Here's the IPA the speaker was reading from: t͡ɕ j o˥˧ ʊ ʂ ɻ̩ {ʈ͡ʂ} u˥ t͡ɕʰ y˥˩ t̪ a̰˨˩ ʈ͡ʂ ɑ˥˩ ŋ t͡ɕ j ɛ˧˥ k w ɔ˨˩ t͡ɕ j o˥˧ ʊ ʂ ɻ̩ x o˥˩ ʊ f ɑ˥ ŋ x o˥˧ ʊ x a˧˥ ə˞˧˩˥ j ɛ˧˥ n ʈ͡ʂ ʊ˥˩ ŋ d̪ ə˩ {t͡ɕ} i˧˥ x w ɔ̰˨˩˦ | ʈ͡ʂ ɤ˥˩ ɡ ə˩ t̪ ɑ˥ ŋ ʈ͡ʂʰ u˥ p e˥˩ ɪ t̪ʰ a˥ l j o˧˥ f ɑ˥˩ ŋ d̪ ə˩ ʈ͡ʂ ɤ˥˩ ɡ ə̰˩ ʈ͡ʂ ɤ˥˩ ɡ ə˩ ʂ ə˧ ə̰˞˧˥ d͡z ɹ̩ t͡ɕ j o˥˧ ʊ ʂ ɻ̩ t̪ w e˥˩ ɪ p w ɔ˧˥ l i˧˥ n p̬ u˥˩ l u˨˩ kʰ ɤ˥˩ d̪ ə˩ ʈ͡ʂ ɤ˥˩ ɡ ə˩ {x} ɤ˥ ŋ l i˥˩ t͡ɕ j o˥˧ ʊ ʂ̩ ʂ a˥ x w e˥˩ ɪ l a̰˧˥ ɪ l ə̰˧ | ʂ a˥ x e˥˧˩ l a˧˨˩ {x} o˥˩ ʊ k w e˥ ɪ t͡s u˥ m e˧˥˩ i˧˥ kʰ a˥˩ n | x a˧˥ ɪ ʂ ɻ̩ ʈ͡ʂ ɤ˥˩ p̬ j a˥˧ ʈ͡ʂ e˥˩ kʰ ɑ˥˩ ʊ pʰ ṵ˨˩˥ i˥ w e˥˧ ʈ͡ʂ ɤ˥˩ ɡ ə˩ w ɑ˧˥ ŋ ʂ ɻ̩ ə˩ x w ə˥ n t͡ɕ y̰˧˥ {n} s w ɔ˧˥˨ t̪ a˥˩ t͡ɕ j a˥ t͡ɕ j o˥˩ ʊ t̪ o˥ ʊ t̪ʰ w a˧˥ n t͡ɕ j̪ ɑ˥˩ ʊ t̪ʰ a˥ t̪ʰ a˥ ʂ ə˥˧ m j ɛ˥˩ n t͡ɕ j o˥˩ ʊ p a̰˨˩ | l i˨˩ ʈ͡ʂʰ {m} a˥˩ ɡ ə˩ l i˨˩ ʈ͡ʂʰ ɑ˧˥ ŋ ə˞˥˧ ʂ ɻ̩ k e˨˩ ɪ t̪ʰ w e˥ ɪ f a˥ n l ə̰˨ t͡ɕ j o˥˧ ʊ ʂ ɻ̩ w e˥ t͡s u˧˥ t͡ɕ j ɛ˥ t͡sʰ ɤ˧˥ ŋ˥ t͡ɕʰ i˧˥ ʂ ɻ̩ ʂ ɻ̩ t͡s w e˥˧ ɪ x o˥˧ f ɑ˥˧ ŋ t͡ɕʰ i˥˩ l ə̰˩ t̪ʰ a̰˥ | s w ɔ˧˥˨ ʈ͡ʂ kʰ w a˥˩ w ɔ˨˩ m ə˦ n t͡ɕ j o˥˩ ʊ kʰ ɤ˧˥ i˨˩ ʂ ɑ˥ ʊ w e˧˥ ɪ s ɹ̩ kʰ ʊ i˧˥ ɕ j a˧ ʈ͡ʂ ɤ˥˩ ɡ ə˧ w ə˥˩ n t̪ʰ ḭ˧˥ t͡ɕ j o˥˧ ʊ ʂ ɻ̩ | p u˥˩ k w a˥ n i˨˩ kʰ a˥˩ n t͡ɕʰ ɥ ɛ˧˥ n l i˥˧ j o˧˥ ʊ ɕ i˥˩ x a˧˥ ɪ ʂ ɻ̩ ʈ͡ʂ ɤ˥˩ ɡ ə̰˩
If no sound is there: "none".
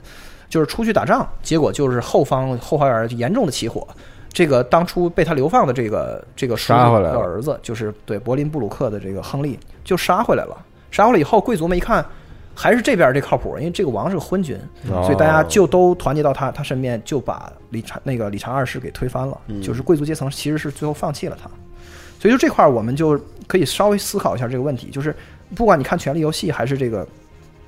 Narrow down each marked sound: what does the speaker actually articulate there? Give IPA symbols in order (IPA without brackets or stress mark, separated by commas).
ʈ͡ʂʰ, t͡ɕʰ, x, x, n, n